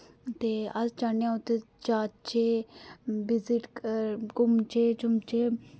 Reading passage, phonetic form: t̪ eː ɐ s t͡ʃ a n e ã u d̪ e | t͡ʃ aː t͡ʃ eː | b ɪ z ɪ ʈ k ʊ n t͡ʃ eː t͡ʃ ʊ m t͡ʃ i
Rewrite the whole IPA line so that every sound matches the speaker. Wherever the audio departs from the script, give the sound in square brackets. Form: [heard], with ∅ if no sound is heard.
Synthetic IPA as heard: t̪ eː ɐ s t͡ʃ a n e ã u [t̪] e | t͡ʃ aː t͡ʃ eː | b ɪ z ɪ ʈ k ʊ [m] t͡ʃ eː t͡ʃ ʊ m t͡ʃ [e]